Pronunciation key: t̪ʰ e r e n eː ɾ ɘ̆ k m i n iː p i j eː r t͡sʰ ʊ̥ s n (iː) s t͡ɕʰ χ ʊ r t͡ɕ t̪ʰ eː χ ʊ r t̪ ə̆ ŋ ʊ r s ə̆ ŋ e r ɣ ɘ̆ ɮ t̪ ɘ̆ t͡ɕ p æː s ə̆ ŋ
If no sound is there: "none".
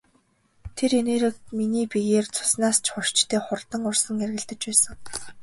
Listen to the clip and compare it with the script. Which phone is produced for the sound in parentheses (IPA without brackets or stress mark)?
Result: aː